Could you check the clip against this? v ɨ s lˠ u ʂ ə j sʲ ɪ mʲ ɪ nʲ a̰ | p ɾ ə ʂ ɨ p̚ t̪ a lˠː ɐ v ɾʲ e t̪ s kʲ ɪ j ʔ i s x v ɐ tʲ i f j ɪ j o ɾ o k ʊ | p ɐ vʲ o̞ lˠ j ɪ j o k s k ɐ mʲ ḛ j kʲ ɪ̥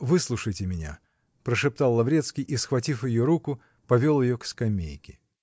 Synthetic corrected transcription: v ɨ s lˠ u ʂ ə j tʲ ɪ mʲ ɪ nʲ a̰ | p ɾ ə ʂ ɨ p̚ t̪ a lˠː ɐ v ɾʲ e t̪ s kʲ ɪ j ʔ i s x v ɐ tʲ i f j ɪ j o ɾ u k ʊ | p ɐ vʲ o̞ lˠ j ɪ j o k s k ɐ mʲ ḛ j kʲ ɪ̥